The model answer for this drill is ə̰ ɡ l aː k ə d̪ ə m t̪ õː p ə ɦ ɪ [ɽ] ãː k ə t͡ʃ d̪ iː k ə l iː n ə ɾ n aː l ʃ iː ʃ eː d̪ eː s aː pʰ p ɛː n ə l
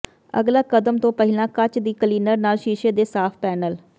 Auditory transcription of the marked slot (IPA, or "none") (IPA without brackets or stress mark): l